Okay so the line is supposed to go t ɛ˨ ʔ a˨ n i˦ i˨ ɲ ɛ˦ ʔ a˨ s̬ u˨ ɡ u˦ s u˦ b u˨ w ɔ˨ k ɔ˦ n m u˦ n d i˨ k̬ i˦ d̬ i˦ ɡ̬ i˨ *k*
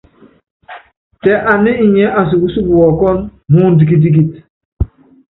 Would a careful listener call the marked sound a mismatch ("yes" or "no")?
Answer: yes